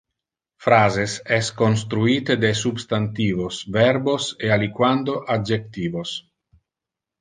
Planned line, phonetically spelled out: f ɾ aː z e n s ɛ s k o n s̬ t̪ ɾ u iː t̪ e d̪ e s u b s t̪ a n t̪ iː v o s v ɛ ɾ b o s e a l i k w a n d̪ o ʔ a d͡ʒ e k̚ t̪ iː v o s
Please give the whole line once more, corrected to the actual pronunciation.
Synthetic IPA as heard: f ɾ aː z e s ɛ s k o n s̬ t̪ ɾ u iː t̪ e d̪ e s u b s t̪ a n t̪ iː v o s v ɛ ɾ b o s e a l i k w a n d̪ o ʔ a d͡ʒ e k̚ t̪ iː v o s